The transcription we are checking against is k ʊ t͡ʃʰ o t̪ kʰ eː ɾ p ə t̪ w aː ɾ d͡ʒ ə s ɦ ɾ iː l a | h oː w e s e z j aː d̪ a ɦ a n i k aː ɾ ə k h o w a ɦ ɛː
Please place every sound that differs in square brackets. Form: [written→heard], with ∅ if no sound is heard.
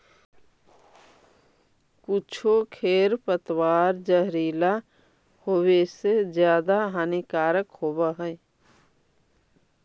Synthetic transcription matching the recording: k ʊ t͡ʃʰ o [t̪→∅] kʰ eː ɾ p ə t̪ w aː ɾ d͡ʒ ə [s→∅] ɦ ɾ iː l a | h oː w e s e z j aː d̪ a ɦ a n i k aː ɾ ə k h o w a ɦ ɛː